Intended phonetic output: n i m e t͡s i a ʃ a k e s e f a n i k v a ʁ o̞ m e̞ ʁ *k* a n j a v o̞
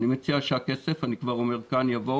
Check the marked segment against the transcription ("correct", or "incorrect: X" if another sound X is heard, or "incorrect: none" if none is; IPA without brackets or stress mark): correct